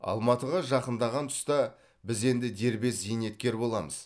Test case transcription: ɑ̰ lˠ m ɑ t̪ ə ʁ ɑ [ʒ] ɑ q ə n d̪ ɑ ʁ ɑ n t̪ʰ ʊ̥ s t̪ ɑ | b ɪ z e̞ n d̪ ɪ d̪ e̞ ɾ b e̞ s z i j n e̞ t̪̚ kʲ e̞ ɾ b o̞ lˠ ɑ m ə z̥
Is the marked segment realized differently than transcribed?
no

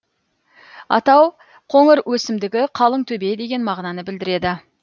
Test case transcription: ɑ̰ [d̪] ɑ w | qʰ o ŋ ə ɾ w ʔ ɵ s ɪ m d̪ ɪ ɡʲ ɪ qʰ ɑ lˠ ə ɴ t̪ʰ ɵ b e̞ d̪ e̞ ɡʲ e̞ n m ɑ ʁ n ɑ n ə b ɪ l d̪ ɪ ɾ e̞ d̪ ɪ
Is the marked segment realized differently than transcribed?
yes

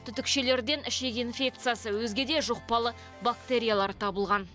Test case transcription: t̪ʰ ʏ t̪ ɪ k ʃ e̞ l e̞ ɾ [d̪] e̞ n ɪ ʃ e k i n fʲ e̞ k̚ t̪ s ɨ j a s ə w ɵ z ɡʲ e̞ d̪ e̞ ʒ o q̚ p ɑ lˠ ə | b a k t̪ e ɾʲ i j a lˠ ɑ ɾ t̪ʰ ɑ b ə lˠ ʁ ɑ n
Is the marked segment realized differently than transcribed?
no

